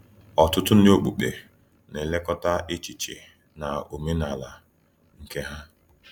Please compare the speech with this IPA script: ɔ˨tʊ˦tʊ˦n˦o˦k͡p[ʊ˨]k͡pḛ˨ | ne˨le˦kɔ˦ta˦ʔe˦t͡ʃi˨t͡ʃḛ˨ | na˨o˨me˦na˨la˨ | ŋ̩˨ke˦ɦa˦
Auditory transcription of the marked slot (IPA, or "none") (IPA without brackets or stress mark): u˨